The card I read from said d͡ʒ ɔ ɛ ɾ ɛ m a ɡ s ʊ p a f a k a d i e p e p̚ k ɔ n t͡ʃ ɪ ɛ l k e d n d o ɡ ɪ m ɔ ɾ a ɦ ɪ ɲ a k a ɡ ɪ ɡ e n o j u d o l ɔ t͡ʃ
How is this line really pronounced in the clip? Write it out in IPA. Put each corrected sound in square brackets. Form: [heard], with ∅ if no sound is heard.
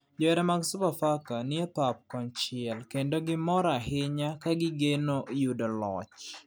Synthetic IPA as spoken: d͡ʒ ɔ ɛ ɾ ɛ m a ɡ s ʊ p a f a k a [n] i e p [a] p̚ k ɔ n t͡ʃ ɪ ɛ l k e [∅] n d o ɡ ɪ m ɔ ɾ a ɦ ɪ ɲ a k a ɡ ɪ ɡ e n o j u d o l ɔ t͡ʃ